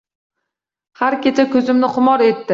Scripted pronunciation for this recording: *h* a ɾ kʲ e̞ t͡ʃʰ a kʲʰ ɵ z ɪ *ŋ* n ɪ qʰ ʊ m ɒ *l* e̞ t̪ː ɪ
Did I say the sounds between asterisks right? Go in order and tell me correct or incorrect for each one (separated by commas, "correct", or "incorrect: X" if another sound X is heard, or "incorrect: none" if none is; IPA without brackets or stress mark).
correct, incorrect: m, incorrect: ɾ